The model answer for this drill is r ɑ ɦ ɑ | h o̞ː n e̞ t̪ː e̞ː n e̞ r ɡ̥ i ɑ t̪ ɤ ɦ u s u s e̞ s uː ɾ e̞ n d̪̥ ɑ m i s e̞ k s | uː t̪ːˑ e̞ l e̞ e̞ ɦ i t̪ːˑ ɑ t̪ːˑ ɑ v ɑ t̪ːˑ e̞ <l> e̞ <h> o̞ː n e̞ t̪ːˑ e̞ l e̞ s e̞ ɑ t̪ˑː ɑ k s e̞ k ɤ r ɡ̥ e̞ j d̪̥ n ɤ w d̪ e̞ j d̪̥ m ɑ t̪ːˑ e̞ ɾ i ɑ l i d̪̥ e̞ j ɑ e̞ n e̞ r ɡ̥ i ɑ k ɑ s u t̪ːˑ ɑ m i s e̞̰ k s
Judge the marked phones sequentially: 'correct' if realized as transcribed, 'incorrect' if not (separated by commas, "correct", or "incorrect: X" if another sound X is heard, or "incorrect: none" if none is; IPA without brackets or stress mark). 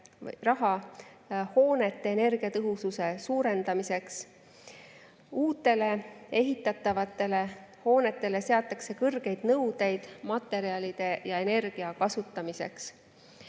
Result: correct, correct